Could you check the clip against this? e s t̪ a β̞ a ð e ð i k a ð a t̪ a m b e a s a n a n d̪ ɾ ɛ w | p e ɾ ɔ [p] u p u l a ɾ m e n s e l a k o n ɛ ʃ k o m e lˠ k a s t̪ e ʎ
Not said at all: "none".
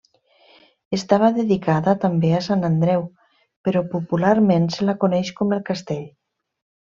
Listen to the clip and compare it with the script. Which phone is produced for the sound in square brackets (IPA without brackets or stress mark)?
p